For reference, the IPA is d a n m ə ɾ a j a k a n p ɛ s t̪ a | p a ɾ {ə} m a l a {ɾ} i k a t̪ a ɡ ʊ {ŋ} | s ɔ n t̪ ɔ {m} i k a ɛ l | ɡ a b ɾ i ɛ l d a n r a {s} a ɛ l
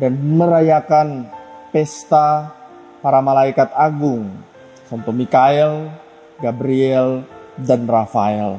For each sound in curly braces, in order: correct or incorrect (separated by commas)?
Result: incorrect, incorrect, correct, correct, incorrect